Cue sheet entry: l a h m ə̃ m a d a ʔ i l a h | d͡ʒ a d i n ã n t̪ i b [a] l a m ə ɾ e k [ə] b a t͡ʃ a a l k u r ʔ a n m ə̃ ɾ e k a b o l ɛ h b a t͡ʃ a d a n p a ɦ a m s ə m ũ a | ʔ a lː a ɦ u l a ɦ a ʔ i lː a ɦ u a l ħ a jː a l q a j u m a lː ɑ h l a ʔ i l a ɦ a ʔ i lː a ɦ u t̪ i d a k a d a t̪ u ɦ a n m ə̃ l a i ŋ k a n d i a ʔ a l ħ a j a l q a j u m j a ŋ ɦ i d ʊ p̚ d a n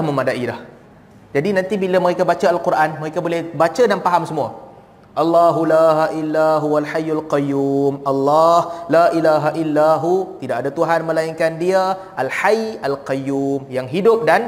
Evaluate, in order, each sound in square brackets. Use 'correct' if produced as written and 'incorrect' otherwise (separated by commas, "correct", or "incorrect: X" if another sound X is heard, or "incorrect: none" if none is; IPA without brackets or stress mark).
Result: incorrect: i, incorrect: a